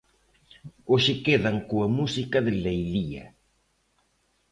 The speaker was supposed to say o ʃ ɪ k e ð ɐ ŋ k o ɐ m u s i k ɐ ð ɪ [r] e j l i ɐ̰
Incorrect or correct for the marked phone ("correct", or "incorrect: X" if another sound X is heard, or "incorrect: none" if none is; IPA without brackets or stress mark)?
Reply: incorrect: l